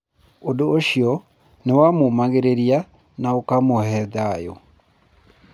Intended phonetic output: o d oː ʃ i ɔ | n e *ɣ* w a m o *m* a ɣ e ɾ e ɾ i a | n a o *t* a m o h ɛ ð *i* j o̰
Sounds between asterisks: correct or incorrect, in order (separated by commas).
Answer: incorrect, correct, incorrect, incorrect